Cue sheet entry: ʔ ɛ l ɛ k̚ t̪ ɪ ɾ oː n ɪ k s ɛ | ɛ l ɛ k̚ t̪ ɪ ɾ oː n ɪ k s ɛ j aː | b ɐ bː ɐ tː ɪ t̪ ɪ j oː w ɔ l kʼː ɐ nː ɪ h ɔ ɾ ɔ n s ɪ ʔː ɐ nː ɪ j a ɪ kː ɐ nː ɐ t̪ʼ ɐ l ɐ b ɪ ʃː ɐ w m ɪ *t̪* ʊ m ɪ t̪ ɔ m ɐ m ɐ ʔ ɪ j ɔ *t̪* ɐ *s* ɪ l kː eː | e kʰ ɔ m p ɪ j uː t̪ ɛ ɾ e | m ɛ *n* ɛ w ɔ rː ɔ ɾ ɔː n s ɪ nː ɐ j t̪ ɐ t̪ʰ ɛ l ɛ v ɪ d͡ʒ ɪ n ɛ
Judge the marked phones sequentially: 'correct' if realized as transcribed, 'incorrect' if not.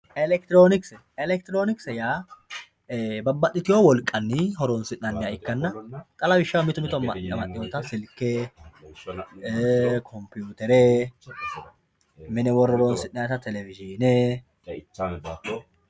correct, correct, correct, correct

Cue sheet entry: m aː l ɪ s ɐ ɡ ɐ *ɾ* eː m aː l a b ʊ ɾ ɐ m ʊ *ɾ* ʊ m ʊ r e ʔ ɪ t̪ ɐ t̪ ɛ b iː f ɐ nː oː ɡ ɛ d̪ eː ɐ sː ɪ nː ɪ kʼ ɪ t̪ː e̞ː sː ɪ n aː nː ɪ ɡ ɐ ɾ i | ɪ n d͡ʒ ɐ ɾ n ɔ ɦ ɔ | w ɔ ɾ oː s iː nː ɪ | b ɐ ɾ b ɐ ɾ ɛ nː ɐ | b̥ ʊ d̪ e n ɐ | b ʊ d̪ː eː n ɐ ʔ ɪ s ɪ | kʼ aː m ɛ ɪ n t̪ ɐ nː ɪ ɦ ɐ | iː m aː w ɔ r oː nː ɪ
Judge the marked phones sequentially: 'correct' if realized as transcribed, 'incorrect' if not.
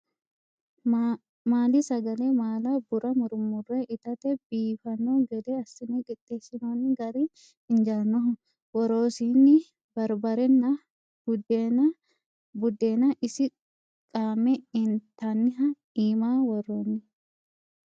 incorrect, correct

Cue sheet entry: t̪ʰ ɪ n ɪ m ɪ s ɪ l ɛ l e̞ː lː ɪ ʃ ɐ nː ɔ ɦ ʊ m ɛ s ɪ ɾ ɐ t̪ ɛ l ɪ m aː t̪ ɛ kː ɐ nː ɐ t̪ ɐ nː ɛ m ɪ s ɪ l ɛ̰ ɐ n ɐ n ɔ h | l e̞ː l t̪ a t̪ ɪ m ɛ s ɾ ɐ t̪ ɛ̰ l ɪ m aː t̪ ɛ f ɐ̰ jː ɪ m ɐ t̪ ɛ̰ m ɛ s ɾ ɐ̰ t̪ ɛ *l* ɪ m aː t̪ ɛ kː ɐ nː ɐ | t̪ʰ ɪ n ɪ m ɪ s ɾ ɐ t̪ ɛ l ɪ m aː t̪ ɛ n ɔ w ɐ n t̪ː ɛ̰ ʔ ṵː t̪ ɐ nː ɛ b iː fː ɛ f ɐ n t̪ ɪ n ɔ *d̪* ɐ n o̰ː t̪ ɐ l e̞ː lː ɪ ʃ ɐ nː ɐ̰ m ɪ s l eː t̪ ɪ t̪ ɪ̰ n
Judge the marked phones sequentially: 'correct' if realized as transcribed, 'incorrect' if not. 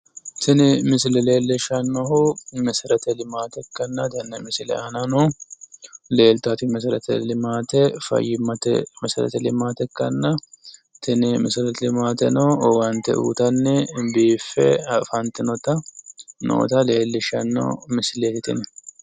correct, incorrect

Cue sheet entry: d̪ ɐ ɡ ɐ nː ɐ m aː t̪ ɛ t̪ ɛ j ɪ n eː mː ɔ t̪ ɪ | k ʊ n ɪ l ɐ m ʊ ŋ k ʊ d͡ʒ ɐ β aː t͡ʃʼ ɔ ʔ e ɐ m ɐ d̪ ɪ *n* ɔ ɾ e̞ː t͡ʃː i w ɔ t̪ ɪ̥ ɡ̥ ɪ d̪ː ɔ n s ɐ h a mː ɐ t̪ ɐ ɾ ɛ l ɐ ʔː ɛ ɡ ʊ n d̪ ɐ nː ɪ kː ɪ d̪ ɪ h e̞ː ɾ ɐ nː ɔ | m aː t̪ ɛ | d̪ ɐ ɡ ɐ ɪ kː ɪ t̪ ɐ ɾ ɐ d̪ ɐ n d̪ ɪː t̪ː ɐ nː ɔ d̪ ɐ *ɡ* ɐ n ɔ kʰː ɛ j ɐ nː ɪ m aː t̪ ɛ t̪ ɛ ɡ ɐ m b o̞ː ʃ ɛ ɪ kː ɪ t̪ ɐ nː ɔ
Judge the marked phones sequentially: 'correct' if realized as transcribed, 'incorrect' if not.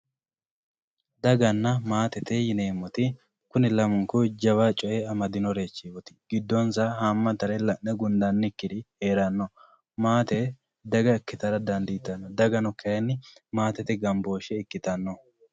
correct, correct

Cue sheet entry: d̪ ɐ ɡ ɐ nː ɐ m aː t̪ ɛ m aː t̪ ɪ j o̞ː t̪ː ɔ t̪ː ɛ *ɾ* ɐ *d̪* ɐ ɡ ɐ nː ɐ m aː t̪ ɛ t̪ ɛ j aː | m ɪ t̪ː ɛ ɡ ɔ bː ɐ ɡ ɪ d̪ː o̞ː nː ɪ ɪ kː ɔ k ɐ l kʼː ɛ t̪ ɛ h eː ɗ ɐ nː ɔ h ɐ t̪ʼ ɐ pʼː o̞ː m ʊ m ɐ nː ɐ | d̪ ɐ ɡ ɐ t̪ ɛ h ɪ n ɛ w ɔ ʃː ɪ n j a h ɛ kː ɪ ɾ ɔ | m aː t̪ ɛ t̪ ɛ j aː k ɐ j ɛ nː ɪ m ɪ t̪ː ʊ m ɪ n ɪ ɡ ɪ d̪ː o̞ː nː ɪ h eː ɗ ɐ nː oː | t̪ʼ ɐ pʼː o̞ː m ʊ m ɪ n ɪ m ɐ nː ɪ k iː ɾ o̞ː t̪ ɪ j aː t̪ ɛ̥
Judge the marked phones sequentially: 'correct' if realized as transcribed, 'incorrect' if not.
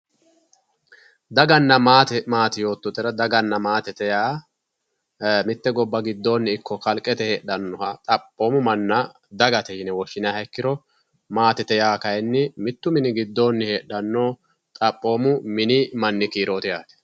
correct, correct

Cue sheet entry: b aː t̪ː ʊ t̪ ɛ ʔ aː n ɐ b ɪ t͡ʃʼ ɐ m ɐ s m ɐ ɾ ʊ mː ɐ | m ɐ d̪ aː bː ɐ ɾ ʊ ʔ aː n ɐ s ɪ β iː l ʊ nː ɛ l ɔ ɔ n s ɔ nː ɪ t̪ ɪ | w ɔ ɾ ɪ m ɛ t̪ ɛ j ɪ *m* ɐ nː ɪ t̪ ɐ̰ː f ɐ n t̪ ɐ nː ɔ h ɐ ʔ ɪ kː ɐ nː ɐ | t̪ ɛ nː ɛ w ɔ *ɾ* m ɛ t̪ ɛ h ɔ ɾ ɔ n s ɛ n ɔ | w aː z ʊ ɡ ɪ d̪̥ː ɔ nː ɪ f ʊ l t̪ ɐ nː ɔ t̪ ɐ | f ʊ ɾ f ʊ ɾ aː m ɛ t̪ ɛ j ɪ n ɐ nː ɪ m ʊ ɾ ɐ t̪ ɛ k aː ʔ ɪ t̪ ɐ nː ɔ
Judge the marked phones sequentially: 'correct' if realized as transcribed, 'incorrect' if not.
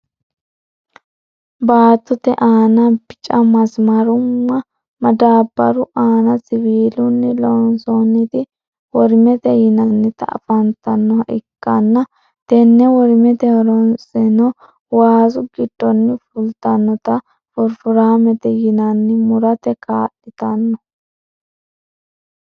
incorrect, correct

